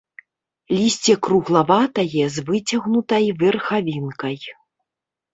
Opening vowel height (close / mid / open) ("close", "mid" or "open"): close